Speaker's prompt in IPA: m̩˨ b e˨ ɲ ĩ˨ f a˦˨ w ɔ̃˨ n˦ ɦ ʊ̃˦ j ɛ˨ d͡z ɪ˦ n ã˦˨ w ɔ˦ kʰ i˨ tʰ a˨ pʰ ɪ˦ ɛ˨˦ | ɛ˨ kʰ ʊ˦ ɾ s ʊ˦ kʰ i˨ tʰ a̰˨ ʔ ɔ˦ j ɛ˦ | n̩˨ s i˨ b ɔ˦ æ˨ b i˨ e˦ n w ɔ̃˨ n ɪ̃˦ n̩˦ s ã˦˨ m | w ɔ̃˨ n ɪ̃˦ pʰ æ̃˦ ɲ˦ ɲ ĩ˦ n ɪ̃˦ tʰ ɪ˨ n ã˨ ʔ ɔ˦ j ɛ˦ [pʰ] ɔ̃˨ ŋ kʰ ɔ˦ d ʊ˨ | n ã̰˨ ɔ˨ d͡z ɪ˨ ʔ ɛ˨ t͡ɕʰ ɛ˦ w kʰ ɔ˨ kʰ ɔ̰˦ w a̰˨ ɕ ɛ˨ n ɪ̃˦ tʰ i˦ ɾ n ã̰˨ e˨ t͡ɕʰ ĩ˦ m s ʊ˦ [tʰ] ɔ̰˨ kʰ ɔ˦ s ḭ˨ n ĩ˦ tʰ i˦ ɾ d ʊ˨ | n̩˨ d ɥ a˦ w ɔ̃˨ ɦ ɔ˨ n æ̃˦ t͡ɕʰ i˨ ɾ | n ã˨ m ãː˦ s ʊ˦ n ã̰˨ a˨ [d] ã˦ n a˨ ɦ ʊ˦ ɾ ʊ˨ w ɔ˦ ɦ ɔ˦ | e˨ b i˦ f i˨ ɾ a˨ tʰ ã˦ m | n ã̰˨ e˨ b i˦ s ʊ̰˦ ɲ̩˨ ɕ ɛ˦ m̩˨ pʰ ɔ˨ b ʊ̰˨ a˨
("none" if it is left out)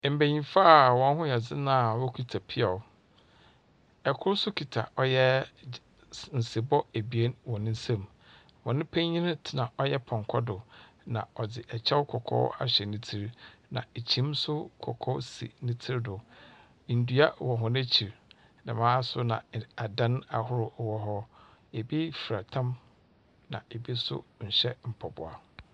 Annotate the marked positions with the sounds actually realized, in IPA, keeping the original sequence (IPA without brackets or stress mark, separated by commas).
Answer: pʰ, kʰ, d